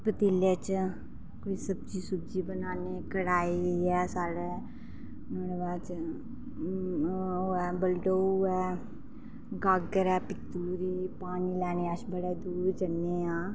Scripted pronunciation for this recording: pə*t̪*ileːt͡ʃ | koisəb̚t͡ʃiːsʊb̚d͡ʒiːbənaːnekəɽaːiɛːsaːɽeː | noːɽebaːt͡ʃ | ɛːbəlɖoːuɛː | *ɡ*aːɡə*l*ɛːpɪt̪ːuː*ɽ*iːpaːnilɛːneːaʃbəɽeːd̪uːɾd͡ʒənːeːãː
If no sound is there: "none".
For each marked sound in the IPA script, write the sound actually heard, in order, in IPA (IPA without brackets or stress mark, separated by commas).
t̪, ɡ, ɾ, ɾ